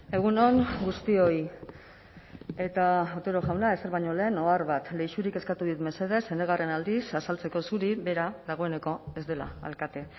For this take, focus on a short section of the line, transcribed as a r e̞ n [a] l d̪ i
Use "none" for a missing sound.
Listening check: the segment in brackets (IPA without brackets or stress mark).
a